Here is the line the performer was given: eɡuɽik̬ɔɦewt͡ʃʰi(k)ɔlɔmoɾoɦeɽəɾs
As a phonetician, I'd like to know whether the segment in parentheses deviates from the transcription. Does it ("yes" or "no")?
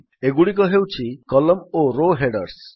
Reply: no